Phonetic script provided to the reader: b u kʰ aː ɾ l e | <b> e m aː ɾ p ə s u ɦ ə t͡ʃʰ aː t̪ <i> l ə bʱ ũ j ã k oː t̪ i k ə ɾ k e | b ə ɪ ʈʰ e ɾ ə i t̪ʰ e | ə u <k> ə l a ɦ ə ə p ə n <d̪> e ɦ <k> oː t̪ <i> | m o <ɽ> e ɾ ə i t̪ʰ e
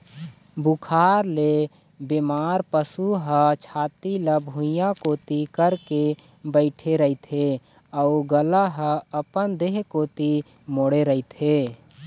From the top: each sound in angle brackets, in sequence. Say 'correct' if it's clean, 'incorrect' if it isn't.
correct, correct, incorrect: ɡ, correct, correct, correct, correct

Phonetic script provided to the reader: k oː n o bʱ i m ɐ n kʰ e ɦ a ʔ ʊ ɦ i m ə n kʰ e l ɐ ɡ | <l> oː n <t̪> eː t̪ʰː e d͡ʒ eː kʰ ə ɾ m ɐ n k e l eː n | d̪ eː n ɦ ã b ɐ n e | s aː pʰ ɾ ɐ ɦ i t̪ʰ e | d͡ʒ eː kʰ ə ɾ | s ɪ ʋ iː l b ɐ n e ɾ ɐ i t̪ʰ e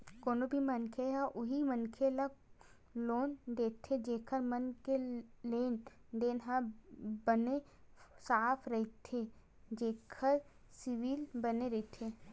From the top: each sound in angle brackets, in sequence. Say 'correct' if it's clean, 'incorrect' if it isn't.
correct, incorrect: d̪

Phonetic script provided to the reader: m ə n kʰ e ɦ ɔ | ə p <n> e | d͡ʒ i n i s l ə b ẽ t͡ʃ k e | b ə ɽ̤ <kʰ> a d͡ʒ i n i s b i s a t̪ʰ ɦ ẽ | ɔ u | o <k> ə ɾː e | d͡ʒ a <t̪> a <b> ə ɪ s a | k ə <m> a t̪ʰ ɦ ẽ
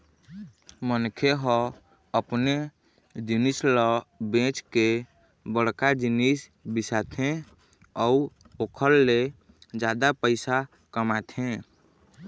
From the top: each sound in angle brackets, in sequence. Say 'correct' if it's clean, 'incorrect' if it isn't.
correct, incorrect: k, incorrect: kʰ, incorrect: d̪, incorrect: p, correct

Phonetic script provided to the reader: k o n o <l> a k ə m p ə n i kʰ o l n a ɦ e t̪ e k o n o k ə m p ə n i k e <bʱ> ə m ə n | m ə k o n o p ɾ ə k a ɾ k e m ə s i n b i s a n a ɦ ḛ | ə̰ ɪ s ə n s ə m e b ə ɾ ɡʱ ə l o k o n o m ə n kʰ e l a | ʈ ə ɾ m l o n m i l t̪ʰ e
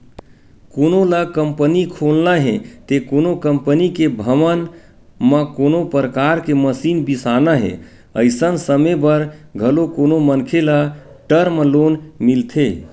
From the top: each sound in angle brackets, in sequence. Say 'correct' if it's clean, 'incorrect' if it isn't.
correct, correct

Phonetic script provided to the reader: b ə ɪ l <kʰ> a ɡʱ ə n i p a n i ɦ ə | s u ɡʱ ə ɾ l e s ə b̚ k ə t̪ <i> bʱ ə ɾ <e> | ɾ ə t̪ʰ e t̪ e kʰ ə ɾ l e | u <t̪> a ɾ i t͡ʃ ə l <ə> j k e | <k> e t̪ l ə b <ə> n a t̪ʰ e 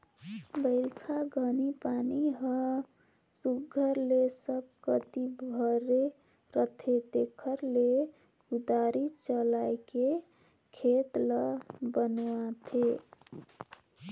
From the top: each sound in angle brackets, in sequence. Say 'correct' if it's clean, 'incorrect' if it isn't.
correct, correct, correct, incorrect: d̪, incorrect: a, incorrect: kʰ, correct

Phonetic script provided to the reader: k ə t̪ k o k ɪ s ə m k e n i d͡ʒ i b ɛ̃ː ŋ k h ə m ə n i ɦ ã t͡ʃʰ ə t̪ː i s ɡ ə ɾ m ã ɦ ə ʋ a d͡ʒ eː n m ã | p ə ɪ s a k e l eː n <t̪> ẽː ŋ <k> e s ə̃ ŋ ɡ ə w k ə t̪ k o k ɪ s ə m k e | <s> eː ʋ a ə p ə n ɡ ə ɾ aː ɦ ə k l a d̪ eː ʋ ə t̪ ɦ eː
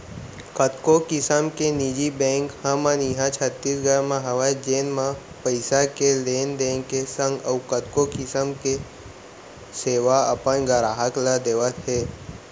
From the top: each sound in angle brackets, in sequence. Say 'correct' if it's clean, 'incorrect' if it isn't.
incorrect: d̪, correct, correct

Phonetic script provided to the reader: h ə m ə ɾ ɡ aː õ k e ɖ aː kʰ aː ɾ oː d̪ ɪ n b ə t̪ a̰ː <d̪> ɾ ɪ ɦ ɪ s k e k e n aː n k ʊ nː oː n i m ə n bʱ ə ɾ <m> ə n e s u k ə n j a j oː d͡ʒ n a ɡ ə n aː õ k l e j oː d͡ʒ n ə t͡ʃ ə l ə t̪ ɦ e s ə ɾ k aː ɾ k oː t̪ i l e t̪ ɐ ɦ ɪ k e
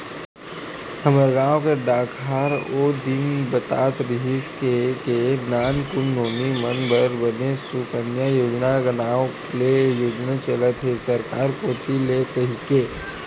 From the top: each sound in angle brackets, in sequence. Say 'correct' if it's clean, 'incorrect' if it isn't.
incorrect: t̪, incorrect: b

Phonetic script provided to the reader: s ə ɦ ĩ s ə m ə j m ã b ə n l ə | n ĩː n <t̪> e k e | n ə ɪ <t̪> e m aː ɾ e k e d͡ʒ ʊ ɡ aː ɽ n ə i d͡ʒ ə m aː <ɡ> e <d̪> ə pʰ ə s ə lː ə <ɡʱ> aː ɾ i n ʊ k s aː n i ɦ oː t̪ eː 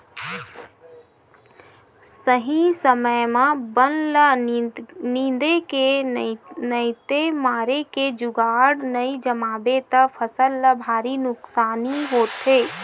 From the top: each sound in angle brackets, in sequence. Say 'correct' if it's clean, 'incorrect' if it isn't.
incorrect: d̪, correct, incorrect: b, incorrect: t̪, incorrect: bʱ

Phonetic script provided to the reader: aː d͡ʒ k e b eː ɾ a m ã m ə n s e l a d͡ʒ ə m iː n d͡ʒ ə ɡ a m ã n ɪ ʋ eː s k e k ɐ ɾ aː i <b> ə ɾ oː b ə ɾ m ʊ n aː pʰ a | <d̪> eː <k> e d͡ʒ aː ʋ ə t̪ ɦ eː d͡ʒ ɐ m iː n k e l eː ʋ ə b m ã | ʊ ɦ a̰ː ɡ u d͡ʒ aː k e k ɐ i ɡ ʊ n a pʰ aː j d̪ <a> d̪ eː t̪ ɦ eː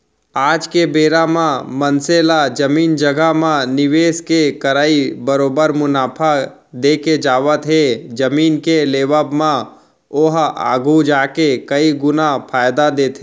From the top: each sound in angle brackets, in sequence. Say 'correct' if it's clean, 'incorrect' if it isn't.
correct, correct, correct, correct

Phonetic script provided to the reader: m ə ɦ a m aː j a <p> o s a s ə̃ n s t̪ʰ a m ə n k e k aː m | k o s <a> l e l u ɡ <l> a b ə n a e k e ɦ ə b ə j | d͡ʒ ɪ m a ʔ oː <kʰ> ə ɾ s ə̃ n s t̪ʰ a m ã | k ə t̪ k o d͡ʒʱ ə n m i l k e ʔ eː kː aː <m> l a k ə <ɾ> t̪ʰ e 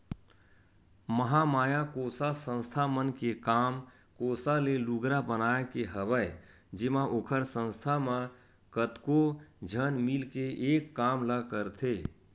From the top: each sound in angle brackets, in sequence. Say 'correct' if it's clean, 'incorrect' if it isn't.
incorrect: k, correct, incorrect: ɾ, correct, correct, correct

